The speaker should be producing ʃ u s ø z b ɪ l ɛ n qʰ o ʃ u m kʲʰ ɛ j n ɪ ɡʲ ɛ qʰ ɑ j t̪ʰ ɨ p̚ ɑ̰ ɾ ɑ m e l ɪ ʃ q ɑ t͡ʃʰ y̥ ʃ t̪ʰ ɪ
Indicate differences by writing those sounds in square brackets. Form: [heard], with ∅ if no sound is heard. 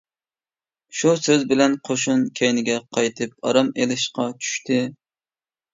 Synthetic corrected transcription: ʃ u s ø z b ɪ l ɛ n qʰ o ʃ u [n] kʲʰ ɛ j n ɪ ɡʲ ɛ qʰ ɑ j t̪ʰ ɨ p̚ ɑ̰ ɾ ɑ m e l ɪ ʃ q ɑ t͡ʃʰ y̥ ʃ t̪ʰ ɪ